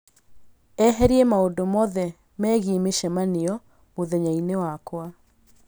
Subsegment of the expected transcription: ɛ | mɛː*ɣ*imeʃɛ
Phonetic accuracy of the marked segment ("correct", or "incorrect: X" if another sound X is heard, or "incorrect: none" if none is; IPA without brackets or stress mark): correct